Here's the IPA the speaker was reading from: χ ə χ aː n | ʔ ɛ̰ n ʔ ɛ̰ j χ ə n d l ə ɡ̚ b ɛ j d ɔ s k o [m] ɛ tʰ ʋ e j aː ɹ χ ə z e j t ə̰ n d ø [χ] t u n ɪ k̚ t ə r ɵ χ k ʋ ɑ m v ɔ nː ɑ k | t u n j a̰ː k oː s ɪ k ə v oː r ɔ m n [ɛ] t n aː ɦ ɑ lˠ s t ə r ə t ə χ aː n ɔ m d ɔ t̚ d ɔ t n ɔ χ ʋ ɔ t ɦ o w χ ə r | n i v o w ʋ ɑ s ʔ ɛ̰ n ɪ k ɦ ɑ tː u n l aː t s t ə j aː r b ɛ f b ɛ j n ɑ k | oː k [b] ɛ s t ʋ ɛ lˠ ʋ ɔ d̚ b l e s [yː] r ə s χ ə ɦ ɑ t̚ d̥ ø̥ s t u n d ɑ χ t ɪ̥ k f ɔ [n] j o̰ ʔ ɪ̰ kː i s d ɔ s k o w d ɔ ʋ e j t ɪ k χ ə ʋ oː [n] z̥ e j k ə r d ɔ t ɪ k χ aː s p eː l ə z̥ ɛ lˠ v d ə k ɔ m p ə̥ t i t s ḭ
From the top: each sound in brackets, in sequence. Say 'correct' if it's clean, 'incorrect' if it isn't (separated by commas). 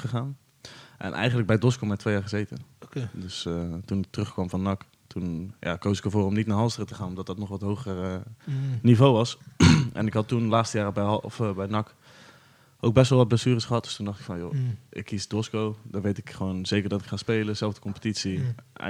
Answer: correct, incorrect, incorrect, correct, correct, correct, correct